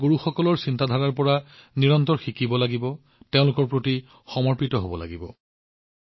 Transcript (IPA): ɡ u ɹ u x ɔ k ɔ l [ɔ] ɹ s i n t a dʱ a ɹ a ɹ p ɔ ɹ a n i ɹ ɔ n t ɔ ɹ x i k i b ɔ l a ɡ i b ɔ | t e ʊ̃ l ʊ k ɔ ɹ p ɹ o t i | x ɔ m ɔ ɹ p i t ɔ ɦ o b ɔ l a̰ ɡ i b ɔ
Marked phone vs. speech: correct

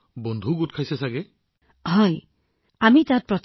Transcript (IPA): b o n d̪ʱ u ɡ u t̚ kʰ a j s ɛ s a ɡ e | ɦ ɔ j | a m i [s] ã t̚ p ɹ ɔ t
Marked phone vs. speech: incorrect: t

